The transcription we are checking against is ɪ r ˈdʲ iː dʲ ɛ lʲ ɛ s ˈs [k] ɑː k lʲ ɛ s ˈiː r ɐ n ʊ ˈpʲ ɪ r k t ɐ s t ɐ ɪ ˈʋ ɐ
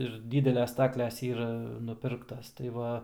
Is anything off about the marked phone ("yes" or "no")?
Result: yes